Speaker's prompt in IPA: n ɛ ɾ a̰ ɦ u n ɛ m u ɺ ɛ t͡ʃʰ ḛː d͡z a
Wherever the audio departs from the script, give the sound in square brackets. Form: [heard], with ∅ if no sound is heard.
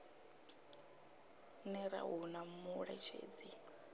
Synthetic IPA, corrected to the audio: n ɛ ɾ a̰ ɦ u n [a] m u ɺ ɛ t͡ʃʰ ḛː d͡z [i]